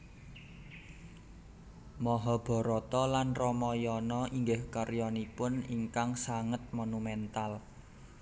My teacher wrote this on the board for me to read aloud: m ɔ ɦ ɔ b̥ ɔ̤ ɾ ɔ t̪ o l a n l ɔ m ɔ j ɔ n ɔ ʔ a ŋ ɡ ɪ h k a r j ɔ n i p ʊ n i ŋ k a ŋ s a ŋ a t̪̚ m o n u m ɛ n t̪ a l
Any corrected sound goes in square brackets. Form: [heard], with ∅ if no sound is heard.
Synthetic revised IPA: m ɔ ɦ ɔ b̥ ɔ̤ ɾ ɔ t̪ [ɔ] l a n [r] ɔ m ɔ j ɔ n ɔ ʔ [i] ŋ ɡ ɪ h k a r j ɔ n i p ʊ n i ŋ k a ŋ s a ŋ [ə] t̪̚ m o n u m ɛ n t̪ a l